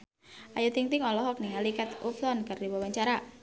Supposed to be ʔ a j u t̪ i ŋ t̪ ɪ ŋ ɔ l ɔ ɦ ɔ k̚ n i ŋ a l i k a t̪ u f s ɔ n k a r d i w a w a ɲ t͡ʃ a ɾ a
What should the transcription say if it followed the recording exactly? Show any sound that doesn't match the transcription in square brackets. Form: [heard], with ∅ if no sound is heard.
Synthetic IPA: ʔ a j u t̪ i ŋ t̪ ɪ ŋ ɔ l ɔ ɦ ɔ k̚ n i ŋ a l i k a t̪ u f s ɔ n k a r d i w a w a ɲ t͡ʃ a ɾ a